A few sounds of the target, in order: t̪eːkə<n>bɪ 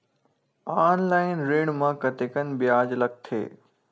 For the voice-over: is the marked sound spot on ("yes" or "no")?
yes